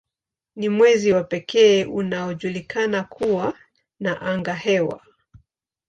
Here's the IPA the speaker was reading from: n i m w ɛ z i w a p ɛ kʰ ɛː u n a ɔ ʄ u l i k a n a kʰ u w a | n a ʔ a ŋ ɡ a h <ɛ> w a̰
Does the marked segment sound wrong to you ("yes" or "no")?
no